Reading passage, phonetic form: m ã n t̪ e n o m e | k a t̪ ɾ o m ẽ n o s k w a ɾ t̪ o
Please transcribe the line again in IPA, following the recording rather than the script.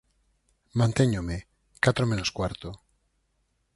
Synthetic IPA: m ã n t̪ e ɲ o m e | k a t̪ ɾ o m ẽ n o s k w a ɾ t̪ o